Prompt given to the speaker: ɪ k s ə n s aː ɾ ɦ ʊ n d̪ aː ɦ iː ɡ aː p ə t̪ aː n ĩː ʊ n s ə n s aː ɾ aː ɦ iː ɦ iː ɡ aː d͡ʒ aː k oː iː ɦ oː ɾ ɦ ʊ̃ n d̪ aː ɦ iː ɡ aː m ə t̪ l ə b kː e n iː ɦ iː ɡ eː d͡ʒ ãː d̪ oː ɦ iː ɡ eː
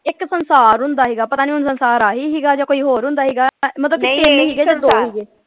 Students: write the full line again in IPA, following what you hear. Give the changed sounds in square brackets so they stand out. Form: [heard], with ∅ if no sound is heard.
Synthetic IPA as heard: ɪ k s ə n s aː ɾ ɦ ʊ n d̪ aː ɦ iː ɡ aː p ə t̪ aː n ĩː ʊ n s ə n s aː ɾ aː ɦ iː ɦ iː ɡ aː d͡ʒ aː k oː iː ɦ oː ɾ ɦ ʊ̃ n d̪ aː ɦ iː ɡ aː m ə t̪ l ə b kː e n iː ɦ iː ɡ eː d͡ʒ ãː d̪ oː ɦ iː ɡ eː